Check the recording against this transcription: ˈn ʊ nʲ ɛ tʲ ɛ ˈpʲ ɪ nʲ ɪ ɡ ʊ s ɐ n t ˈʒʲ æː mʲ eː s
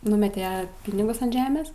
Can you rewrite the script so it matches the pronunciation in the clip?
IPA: ˈn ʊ mʲ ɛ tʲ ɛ ˈpʲ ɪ nʲ ɪ ɡ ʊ s ɐ n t ˈʒʲ æː mʲ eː s